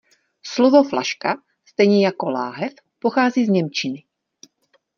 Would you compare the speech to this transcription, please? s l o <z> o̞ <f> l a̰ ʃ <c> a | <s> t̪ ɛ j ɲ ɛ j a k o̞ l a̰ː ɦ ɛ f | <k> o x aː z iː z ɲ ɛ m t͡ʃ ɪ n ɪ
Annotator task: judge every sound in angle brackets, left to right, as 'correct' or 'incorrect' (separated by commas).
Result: incorrect, correct, incorrect, correct, incorrect